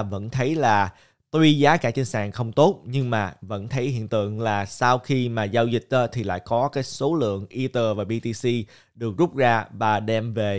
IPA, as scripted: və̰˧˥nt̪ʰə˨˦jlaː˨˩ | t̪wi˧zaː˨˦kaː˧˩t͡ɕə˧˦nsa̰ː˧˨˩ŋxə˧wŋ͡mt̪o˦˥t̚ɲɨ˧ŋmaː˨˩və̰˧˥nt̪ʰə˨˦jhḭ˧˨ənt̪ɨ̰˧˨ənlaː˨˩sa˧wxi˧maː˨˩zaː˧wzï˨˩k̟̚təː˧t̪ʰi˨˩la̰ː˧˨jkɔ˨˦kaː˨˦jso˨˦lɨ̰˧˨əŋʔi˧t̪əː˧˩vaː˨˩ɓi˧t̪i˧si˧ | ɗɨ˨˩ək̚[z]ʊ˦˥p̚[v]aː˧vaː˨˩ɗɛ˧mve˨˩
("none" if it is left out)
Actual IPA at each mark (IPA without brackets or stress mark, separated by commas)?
z, z